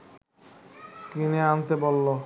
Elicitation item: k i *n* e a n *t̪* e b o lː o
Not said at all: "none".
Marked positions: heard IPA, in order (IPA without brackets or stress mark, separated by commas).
n, t̪